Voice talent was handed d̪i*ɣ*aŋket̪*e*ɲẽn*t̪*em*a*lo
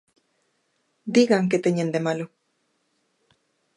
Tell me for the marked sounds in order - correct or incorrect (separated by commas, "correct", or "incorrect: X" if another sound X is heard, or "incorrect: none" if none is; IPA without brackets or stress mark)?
correct, correct, incorrect: d̪, correct